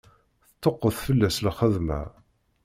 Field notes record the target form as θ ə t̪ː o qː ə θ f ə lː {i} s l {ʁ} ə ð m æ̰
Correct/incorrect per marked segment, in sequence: incorrect: æ, incorrect: χ

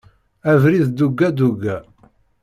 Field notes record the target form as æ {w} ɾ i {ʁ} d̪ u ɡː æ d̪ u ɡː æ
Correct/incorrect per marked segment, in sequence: incorrect: v, incorrect: ð

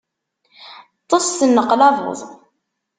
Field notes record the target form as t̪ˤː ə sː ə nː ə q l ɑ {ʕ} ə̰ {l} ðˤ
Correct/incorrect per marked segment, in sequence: incorrect: v, incorrect: none

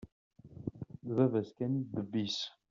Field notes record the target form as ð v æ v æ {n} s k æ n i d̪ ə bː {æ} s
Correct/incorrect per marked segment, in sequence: incorrect: none, incorrect: i

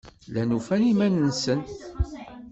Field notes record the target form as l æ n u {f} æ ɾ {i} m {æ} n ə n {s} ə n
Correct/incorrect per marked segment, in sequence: correct, correct, correct, correct

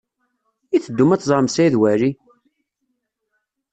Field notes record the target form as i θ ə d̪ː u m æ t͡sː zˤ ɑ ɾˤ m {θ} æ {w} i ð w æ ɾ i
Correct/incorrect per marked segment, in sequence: incorrect: s, incorrect: none

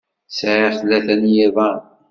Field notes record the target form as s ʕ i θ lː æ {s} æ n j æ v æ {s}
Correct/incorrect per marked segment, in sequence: incorrect: θ, incorrect: none

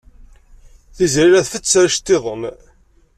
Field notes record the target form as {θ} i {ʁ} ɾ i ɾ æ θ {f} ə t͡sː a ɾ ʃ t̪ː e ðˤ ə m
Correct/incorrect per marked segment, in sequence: correct, incorrect: z, correct

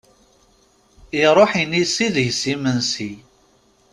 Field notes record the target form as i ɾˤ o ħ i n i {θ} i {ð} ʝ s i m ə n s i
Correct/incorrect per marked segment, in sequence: incorrect: s, correct

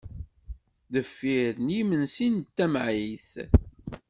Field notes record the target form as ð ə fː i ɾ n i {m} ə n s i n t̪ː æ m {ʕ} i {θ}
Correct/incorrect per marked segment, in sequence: correct, correct, correct

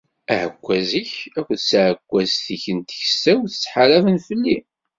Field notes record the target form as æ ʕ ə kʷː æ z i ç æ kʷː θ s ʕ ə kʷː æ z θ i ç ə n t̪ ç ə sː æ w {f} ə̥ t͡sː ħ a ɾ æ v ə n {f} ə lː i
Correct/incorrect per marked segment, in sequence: incorrect: θ, correct

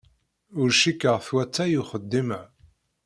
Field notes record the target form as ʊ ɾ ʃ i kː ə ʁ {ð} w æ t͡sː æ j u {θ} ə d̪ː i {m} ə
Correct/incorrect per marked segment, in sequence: incorrect: θ, incorrect: χ, correct

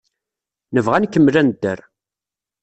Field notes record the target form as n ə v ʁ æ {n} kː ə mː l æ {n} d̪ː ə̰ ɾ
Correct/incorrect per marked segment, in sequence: correct, correct

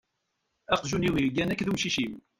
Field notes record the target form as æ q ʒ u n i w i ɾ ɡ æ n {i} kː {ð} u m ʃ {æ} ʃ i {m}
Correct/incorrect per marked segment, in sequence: incorrect: æ, correct, incorrect: i, correct

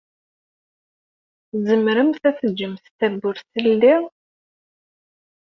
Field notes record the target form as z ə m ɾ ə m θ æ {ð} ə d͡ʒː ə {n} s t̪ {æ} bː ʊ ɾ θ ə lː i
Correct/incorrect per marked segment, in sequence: incorrect: θ, incorrect: m, correct

